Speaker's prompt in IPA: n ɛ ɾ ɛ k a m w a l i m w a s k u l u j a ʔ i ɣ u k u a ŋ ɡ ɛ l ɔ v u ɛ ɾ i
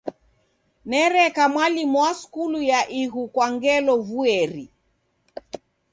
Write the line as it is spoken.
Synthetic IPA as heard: n ɛ ɾ ɛ k a m w a l i m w a s k u l u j a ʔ i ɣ u k w a ŋ ɡ ɛ l ɔ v u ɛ ɾ i